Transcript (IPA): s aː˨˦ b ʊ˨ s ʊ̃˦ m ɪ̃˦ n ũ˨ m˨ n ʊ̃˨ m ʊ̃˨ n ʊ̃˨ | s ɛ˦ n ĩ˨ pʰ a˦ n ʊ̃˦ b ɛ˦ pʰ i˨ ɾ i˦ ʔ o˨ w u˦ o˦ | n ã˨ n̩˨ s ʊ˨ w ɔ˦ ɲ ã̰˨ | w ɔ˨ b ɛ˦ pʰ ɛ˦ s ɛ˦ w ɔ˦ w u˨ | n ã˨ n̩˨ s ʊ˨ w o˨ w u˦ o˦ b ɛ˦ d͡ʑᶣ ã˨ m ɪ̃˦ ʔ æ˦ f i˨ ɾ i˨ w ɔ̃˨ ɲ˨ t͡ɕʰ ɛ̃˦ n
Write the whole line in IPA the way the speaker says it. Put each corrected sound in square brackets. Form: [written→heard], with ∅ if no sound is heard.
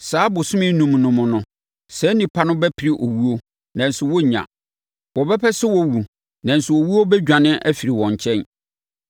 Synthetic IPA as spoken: s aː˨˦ b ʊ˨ s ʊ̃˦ m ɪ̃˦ n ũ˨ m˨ n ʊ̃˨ m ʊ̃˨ n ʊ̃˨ | s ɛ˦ n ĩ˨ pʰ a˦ n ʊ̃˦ b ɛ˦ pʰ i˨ ɾ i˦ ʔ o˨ w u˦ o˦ | n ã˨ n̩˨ s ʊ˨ w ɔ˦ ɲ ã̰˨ | w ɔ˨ b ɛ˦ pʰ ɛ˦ s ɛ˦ w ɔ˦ w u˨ | n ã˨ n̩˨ s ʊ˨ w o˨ w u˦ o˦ b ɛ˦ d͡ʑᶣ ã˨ [m→n] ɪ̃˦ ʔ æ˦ f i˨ ɾ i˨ w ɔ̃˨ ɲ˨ t͡ɕʰ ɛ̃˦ n

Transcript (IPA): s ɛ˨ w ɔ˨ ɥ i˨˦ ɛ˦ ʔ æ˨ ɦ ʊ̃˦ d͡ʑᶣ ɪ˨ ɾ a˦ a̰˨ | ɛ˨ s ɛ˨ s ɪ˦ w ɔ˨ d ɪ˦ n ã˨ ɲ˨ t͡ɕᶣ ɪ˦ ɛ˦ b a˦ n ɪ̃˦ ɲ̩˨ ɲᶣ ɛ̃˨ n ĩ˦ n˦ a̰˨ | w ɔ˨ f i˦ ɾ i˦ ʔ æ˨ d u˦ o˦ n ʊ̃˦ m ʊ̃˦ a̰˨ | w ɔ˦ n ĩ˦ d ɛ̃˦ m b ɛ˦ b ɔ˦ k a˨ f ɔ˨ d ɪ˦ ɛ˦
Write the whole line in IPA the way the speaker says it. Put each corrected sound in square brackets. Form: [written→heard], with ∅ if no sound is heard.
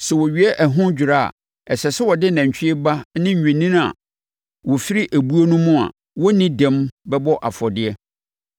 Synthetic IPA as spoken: s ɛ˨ w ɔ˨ ɥ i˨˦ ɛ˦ ʔ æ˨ ɦ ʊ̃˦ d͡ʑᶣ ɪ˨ ɾ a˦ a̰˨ | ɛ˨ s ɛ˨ s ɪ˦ w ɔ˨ d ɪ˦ n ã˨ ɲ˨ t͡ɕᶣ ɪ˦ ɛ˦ b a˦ n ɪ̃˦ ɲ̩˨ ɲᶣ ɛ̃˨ n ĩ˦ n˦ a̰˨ | w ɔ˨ f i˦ ɾ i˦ ʔ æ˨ [d→b] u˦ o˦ n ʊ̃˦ m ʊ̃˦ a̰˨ | w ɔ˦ n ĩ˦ d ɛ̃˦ m b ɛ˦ b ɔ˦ [k→ʔ] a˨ f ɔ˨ d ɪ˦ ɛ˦

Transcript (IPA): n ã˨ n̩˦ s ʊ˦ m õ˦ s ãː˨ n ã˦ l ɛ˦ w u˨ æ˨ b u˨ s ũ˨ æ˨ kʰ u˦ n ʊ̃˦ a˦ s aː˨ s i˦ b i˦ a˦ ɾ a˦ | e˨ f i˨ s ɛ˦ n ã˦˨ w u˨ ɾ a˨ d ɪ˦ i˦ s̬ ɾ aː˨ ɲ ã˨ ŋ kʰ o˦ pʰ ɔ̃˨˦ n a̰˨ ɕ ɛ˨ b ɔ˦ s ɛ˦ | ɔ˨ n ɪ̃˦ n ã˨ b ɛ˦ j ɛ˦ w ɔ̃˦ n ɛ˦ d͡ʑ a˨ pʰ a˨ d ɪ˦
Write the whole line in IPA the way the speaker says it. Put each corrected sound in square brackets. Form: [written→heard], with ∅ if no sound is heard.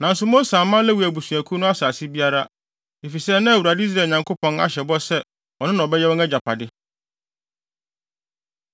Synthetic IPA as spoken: n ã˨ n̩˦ s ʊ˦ m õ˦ s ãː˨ [n→m] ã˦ l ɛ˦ w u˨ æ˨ b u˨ s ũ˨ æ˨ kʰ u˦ n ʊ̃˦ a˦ s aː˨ s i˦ b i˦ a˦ ɾ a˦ | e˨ f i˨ s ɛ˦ n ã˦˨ w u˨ ɾ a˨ d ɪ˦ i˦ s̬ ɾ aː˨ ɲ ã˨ ŋ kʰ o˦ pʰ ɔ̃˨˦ n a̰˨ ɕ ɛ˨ b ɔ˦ s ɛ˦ | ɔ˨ n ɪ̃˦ n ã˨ b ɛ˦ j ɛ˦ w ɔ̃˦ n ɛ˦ d͡ʑ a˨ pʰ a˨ d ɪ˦

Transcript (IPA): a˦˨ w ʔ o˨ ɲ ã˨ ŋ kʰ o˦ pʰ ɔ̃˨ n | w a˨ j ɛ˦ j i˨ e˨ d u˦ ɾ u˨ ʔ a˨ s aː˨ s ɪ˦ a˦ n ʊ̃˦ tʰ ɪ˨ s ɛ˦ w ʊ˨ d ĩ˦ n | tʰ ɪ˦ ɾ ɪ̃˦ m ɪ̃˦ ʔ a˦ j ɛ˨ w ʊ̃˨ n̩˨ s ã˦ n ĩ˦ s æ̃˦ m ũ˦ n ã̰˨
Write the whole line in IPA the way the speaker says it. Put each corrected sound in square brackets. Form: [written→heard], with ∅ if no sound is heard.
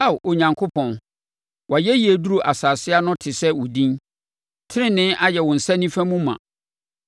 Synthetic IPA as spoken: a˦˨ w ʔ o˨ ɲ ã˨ ŋ kʰ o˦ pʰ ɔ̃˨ n | w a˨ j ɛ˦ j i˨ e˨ d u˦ ɾ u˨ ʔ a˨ s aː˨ s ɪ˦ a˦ n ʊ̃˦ tʰ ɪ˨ s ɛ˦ w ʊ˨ d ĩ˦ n | tʰ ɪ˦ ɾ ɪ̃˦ [m→n] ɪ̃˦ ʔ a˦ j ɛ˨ w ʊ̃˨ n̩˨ s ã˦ n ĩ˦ [s→f] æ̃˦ m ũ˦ [n→m] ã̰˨

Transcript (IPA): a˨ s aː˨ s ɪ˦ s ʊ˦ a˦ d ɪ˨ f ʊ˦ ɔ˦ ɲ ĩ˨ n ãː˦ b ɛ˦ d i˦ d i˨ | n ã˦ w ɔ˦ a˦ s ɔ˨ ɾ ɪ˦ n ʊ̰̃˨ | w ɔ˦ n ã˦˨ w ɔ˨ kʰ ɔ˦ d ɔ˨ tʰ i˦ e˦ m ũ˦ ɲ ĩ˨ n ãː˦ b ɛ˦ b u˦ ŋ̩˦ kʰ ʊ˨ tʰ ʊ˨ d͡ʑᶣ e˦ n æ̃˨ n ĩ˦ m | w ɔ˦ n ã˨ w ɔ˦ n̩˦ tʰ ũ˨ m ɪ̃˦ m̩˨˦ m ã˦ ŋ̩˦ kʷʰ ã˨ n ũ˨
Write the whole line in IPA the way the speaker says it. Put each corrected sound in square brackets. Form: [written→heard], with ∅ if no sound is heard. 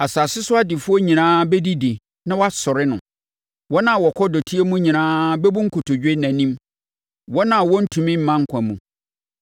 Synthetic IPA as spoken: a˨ s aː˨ s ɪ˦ s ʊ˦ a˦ d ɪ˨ f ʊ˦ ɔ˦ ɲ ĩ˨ n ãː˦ b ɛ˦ d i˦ d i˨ | n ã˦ w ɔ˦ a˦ s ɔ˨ ɾ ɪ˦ n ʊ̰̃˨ | w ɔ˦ n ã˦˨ w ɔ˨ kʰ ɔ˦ d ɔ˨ tʰ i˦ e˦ m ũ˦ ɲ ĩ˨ n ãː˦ b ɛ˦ b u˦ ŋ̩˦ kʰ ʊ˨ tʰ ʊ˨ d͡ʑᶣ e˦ n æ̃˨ n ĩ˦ m | w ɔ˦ n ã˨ w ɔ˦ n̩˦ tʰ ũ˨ m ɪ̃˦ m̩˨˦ m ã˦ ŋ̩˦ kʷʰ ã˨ [n→m] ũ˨

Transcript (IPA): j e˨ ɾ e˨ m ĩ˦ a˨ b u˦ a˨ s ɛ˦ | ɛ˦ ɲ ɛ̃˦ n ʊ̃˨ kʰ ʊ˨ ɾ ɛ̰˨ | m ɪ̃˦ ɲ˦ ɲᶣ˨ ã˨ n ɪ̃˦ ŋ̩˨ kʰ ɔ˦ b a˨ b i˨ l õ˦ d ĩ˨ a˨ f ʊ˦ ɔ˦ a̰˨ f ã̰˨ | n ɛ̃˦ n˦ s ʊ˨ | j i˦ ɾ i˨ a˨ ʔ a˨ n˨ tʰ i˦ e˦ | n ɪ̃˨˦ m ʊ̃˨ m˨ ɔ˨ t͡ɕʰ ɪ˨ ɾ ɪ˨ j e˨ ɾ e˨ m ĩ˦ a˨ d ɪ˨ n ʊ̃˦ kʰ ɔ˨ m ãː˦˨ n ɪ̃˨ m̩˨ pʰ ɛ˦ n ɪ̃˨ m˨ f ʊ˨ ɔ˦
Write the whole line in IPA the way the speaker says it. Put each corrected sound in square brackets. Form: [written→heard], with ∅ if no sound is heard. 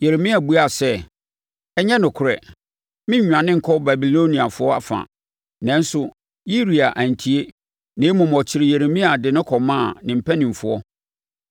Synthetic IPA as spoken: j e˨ ɾ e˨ m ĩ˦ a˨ b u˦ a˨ s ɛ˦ | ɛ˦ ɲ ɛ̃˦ n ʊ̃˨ kʰ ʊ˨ ɾ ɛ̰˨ | m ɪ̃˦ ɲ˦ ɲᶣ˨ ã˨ n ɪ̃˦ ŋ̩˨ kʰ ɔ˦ b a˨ b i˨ l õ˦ [d→n] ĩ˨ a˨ f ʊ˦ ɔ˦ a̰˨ f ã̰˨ | n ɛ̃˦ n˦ s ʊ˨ | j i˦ ɾ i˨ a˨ ʔ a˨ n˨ tʰ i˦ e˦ | n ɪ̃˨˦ m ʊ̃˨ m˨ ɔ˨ t͡ɕʰ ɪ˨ ɾ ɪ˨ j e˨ ɾ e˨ m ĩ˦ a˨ d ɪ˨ n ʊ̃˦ kʰ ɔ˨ m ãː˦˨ n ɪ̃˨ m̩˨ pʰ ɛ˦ n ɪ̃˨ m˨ f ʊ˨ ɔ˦

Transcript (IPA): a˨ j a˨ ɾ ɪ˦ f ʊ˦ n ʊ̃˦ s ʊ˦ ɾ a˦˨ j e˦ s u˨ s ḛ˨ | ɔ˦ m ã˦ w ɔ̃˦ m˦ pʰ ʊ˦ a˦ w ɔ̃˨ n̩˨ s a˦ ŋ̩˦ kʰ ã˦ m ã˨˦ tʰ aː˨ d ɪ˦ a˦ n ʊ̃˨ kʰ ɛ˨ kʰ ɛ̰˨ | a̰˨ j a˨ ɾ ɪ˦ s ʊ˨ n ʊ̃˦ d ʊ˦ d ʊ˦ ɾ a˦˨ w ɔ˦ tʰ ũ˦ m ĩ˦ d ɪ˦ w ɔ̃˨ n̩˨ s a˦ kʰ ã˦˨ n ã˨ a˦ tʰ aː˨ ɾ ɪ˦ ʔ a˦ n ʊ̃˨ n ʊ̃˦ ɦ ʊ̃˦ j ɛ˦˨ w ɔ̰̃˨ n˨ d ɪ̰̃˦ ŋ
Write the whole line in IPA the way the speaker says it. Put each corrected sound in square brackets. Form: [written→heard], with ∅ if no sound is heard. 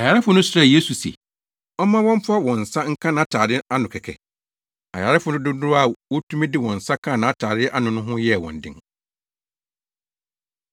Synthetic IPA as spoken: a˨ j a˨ ɾ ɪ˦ f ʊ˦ n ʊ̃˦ s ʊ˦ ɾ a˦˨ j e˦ s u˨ s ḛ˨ | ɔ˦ m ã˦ w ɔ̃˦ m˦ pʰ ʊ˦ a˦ w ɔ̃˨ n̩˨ s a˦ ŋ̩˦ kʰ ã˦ [m→n] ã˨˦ tʰ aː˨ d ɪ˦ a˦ n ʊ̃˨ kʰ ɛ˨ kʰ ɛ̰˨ | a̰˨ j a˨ ɾ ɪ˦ [s→f] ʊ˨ n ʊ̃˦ d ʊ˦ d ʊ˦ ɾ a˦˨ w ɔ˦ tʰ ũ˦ m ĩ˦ d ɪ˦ w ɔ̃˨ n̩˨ s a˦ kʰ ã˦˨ n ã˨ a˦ tʰ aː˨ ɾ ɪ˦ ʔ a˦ n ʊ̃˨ n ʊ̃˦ ɦ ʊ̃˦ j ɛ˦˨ w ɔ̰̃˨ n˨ d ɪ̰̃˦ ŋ

